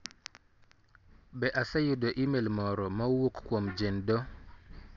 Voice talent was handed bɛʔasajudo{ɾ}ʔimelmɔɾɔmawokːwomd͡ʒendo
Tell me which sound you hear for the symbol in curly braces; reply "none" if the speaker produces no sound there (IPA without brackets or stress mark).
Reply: none